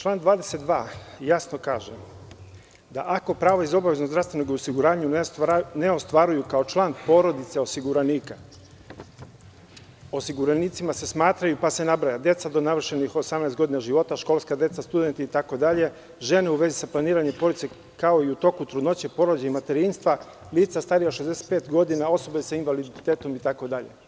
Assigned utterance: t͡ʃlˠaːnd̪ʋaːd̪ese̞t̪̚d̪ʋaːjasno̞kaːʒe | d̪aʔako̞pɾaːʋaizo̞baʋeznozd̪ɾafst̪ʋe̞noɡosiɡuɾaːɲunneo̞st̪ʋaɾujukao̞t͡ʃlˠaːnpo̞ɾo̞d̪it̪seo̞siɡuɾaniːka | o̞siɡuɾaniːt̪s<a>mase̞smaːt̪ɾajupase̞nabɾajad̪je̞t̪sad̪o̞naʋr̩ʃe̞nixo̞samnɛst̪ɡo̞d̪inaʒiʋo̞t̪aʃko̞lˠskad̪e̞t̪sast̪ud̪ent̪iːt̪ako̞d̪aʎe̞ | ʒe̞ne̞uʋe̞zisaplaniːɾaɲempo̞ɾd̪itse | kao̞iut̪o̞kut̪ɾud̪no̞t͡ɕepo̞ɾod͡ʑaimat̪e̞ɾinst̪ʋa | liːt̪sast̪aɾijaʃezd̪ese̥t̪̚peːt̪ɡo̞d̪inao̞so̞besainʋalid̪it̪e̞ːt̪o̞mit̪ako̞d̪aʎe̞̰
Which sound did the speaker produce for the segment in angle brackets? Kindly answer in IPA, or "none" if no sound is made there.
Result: i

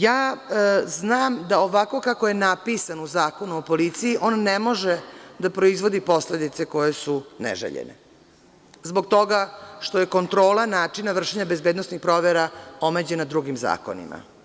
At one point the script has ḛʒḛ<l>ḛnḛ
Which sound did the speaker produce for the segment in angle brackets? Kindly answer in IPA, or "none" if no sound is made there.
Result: ʎ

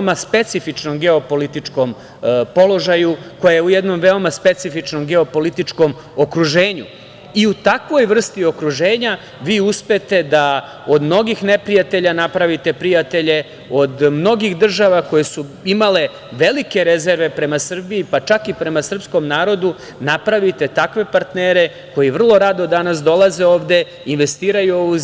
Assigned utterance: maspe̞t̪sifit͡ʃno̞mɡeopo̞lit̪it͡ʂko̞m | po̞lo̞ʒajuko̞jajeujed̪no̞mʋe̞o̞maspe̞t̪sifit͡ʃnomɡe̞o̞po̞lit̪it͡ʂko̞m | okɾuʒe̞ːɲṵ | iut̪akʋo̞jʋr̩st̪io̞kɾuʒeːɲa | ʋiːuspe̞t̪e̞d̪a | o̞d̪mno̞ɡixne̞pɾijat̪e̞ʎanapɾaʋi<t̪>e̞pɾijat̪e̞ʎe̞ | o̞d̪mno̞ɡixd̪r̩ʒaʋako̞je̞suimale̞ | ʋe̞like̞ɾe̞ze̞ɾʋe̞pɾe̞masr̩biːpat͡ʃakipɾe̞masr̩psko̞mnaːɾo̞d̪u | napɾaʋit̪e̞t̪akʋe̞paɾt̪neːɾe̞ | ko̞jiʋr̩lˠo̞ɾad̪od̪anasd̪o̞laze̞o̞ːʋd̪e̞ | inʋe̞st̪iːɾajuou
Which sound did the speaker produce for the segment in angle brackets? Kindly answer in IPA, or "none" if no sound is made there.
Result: t̪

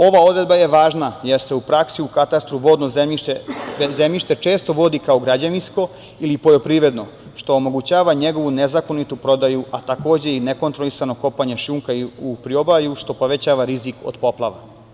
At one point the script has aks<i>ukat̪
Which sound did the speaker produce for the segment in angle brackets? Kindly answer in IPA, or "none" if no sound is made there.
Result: i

